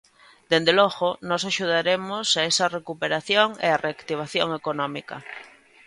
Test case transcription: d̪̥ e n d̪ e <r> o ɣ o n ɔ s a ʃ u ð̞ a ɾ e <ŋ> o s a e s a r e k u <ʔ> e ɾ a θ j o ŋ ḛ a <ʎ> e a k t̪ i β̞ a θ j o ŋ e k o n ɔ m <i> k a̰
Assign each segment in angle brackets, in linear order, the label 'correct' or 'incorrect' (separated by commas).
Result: incorrect, incorrect, incorrect, incorrect, correct